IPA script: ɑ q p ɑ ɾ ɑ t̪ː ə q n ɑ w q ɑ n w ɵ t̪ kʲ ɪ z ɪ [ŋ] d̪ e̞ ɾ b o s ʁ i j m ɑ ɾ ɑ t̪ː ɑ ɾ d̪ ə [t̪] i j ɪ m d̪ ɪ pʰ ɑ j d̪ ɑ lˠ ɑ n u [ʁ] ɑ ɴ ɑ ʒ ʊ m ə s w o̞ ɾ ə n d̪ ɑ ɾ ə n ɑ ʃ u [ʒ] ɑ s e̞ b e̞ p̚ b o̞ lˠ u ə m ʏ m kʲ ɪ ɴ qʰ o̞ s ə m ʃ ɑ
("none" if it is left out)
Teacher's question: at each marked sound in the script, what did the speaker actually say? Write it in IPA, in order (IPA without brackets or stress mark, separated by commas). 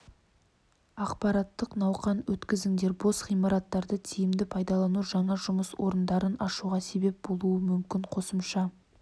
ŋ, t̪ʰ, ʒ, ʁ